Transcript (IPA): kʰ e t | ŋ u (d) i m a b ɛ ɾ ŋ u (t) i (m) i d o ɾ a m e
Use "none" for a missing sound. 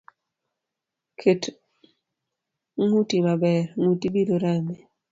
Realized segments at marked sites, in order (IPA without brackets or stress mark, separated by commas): t, t, b